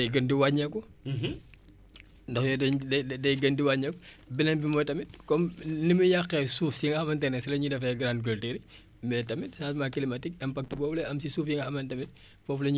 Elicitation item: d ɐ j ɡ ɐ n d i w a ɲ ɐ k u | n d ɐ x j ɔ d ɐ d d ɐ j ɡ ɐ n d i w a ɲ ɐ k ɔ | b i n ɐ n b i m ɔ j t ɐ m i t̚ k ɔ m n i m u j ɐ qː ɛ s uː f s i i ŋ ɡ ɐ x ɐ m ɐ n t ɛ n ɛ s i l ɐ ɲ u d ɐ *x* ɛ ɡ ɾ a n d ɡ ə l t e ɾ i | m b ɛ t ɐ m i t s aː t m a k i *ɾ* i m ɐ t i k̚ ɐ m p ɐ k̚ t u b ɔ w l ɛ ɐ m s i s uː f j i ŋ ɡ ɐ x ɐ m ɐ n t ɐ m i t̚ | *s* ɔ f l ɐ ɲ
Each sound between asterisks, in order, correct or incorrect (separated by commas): incorrect, incorrect, incorrect